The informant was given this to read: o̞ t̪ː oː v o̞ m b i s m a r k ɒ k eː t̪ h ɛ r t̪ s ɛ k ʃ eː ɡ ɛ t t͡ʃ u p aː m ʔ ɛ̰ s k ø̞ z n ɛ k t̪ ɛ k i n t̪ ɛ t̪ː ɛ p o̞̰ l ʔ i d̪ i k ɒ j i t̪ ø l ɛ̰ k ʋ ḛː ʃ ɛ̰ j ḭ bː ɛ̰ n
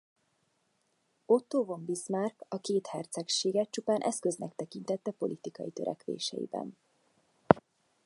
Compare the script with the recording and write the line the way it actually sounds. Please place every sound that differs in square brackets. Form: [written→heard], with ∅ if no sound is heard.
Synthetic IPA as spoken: o̞ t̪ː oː v o̞ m b i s m a r k ɒ k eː t̪ h ɛ r t̪ s ɛ k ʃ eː ɡ ɛ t t͡ʃ u p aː [m→n] ʔ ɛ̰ s k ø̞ z n ɛ k t̪ ɛ k i n t̪ ɛ t̪ː ɛ p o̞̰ l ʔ i [d̪→t̪] i k ɒ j i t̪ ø [l→ɾ] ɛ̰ k ʋ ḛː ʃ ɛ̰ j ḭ [bː→b] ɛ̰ n